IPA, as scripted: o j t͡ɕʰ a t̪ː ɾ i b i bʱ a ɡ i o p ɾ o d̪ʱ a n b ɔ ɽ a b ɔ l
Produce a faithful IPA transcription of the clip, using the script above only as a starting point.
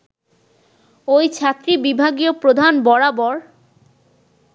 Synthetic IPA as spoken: o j t͡ɕʰ a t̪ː ɾ i b i bʱ a ɡ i o p ɾ o d̪ʱ a n b ɔ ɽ a b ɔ ɾ